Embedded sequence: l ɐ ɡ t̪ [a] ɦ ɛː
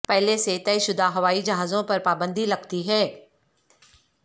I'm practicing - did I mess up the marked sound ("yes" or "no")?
yes